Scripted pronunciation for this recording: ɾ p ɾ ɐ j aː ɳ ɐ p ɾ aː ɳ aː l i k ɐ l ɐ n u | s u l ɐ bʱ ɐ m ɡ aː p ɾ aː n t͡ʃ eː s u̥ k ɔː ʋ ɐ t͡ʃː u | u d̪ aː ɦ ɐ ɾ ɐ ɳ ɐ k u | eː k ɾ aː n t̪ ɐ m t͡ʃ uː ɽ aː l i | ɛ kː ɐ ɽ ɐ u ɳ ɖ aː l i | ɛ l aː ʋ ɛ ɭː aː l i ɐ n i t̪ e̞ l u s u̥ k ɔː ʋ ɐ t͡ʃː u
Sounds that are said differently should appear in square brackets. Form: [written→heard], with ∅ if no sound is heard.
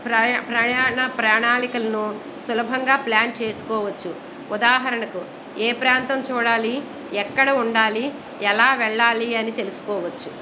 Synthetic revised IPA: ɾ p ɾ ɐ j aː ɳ ɐ p ɾ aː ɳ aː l i k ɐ l ɐ n u | s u l ɐ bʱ ɐ [m→ŋ] ɡ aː p [ɾ→l] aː n t͡ʃ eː s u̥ k ɔː ʋ ɐ t͡ʃː u | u d̪ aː ɦ ɐ ɾ ɐ ɳ ɐ k u | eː [k→p] ɾ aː n t̪ ɐ m t͡ʃ uː ɽ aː l i | ɛ kː ɐ ɽ ɐ u ɳ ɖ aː l i | ɛ l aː ʋ ɛ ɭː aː l i ɐ n i t̪ e̞ l u s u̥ k ɔː ʋ ɐ t͡ʃː u